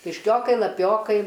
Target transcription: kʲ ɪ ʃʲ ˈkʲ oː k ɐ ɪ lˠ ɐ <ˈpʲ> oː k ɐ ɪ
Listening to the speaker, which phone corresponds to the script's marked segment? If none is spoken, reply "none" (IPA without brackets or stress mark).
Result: pʲ